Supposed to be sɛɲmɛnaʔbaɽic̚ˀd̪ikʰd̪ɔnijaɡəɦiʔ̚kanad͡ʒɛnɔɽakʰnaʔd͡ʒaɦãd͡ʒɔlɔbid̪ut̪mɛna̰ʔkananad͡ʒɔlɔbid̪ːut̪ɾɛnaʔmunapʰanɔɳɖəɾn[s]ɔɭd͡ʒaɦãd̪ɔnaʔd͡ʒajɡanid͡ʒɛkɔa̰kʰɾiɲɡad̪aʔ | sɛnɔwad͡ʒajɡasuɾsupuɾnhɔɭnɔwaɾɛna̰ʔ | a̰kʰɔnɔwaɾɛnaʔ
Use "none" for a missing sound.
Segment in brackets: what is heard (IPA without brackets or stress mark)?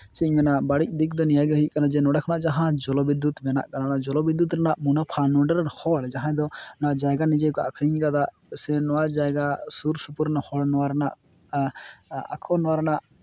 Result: h